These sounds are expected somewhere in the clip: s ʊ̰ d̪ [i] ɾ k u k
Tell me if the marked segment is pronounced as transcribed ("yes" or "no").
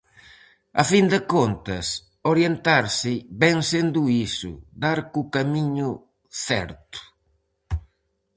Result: no